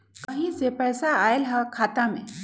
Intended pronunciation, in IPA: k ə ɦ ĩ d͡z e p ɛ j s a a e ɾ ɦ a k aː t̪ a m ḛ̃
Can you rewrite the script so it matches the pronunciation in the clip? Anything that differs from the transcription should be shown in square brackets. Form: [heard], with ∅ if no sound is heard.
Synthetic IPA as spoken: k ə ɦ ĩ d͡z e p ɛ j s a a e [l] ɦ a [kʰ] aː t̪ a m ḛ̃